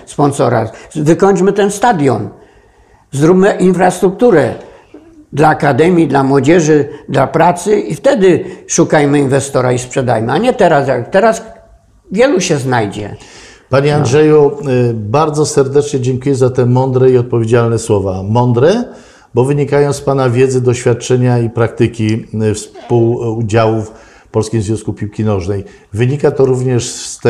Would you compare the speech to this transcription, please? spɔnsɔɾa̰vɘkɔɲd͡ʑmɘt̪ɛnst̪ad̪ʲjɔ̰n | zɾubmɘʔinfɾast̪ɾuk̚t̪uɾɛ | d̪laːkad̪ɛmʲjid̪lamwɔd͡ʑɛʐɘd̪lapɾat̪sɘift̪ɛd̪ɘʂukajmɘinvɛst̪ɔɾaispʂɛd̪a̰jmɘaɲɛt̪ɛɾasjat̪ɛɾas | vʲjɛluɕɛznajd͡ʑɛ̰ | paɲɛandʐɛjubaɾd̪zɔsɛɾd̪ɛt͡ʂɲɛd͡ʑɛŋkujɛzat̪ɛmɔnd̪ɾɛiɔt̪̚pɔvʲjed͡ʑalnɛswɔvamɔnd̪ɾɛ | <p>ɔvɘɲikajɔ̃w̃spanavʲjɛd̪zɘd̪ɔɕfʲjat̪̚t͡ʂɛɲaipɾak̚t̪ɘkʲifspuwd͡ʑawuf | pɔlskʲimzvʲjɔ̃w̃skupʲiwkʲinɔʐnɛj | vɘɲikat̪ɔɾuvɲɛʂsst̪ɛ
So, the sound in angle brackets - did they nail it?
no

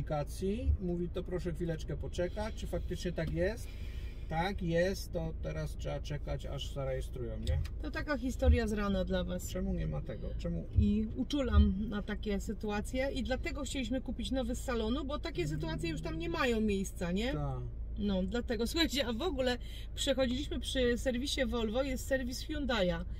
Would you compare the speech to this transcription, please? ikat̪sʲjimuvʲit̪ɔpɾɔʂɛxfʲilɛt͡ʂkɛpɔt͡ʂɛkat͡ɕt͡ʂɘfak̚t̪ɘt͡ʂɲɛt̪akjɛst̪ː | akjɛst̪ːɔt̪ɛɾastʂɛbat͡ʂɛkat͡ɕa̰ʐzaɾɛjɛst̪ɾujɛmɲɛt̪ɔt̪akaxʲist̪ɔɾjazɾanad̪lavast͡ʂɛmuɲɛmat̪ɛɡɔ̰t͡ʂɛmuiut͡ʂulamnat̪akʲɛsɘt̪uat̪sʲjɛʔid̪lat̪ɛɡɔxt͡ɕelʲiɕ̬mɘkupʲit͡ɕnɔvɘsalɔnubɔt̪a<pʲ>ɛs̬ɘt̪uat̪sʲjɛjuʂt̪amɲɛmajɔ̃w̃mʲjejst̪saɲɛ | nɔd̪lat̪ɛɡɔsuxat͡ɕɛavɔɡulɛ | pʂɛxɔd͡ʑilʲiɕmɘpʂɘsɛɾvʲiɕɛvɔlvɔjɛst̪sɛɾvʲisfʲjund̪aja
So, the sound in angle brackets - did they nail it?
no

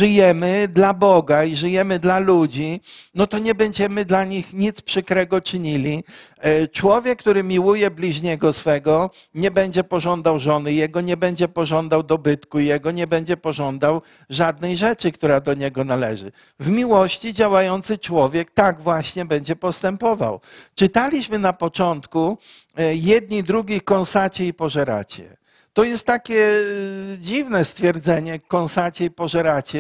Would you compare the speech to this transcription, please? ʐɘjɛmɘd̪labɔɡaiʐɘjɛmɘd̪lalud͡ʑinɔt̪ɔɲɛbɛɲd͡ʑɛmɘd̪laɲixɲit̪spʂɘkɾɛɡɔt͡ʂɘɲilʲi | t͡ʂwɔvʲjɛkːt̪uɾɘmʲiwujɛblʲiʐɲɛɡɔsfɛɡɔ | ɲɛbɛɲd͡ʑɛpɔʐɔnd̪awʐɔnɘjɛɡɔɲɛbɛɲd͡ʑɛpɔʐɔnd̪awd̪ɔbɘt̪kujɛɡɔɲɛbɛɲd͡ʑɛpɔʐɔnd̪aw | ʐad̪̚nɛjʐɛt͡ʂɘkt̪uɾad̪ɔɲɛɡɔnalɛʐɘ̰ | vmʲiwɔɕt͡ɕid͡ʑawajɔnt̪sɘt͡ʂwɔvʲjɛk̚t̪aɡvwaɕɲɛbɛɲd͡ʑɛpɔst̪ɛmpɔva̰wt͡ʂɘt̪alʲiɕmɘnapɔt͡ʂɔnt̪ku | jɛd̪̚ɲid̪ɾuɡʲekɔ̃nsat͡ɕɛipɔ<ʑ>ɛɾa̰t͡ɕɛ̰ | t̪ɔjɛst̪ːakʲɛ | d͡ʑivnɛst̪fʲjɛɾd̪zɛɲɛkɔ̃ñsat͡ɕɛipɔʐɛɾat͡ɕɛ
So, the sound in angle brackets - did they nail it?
no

